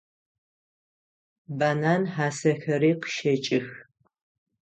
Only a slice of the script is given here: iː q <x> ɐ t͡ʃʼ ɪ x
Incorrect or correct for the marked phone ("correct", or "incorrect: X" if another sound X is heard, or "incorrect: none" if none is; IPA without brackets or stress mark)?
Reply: incorrect: ʃ